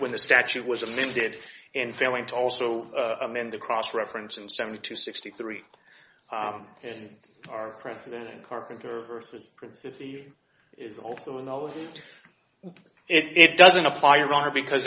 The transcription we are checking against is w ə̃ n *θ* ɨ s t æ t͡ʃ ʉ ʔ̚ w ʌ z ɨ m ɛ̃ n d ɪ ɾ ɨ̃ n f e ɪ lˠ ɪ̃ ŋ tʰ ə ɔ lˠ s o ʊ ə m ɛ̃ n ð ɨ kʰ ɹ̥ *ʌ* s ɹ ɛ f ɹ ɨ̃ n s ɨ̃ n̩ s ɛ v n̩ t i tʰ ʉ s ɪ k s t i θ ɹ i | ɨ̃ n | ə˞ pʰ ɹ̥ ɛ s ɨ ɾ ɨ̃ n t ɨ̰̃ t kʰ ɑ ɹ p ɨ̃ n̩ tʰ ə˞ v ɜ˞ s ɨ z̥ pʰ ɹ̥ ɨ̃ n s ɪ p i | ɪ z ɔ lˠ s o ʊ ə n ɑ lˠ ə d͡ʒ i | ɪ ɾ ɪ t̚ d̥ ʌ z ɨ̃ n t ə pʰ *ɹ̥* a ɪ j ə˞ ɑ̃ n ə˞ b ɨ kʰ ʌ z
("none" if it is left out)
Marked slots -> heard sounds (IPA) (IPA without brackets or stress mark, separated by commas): ð, ɔ, l̥